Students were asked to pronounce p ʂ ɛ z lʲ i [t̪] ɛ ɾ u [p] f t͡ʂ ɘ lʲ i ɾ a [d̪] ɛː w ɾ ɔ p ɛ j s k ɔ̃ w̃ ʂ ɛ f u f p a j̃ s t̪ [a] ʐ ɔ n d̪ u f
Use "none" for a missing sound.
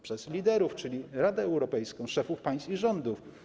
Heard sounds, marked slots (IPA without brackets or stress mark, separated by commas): d̪, none, d̪, i